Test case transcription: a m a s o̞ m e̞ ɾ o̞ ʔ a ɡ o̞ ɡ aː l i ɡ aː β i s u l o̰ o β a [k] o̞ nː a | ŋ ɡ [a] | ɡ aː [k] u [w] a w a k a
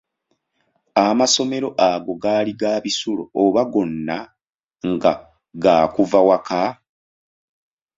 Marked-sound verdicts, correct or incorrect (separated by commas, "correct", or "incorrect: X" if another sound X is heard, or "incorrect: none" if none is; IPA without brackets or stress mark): incorrect: ɡ, correct, correct, incorrect: v